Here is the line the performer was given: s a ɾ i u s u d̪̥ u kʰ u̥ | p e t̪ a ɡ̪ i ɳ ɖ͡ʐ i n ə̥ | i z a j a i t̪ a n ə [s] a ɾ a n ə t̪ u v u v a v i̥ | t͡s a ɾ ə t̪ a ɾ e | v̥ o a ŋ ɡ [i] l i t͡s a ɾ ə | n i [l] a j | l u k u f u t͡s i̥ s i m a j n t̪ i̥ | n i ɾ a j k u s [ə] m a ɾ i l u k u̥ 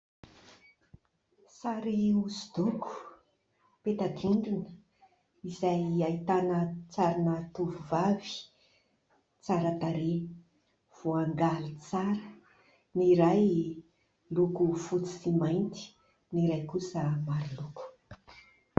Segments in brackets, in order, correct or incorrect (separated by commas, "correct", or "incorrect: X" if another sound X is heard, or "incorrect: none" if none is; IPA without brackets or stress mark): incorrect: t͡s, incorrect: a, incorrect: ɾ, correct